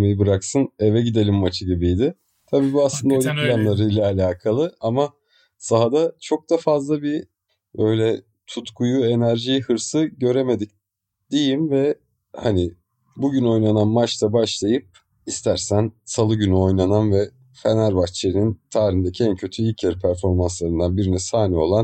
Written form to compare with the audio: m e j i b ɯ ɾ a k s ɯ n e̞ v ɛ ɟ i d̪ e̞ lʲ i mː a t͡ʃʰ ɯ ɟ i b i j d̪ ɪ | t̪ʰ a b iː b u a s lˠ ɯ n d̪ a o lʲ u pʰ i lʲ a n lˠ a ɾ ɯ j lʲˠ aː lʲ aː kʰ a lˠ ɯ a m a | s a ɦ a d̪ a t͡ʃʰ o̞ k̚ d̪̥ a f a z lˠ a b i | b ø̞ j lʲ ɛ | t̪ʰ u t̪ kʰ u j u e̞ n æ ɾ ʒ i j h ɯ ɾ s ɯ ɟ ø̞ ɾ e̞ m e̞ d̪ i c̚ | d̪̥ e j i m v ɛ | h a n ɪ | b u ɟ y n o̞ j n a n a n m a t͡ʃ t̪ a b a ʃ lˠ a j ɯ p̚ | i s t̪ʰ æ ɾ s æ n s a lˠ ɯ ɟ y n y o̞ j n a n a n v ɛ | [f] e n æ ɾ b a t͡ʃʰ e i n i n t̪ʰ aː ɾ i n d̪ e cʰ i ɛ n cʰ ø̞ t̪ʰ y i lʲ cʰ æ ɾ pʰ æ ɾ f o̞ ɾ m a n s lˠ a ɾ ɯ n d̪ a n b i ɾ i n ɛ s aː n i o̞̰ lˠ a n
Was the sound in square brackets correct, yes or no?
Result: yes